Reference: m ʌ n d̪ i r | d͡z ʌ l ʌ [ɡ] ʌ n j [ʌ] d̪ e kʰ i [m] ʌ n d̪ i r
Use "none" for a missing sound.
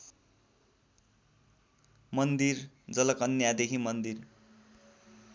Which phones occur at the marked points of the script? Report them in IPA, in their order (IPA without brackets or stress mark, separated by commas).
k, a, m